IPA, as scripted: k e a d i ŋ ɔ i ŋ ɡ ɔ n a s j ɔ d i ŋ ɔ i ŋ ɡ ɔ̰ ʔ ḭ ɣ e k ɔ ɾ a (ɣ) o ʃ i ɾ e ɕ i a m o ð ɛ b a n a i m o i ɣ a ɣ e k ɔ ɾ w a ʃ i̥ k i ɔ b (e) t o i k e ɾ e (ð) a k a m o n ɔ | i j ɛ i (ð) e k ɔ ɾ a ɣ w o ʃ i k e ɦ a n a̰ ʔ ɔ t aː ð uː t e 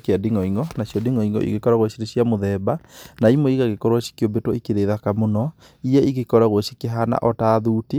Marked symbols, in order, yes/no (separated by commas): yes, yes, yes, no